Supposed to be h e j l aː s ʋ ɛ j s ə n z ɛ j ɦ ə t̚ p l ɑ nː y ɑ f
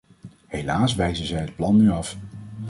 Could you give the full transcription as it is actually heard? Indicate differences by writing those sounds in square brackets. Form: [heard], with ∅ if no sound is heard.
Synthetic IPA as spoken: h e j l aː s ʋ ɛ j [z] ə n z ɛ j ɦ ə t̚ p l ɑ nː y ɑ f